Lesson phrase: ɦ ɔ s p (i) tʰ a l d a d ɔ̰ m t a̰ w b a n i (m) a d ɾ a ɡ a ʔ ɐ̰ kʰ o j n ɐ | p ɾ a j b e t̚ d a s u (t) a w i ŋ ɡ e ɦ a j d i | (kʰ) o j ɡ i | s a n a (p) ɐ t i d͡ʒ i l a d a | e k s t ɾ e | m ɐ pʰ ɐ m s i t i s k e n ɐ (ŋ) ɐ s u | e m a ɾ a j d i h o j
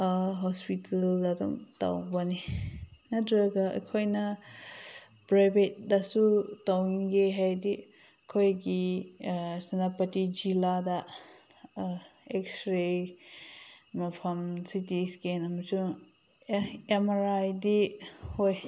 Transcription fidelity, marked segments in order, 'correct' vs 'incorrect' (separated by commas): correct, incorrect, correct, correct, correct, incorrect